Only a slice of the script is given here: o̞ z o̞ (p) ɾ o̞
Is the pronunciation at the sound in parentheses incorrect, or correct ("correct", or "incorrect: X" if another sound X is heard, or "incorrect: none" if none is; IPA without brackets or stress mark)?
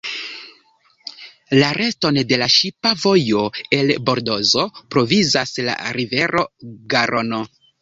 correct